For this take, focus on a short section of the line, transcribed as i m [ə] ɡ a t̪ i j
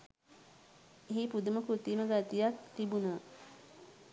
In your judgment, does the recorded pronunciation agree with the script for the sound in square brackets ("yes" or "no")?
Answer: yes